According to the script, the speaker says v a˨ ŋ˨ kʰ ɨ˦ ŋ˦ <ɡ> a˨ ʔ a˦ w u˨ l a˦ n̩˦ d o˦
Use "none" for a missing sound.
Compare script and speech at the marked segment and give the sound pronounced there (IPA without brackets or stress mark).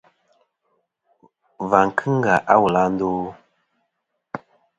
ɡ